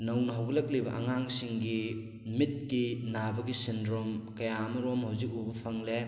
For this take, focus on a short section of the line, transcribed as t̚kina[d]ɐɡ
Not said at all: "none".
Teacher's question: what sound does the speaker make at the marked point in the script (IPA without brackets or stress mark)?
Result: b